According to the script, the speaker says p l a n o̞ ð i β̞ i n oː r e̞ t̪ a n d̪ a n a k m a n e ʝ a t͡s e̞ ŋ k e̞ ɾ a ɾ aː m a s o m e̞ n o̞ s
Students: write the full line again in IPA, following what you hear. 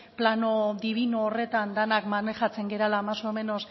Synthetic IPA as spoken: p l a n o̞ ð i β̞ i n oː r e̞ t̪ a n d̪ a n a k m a n e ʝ a t͡s e̞ ŋ ɡ e̞ ɾ a l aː m a s o m e̞ n o̞ s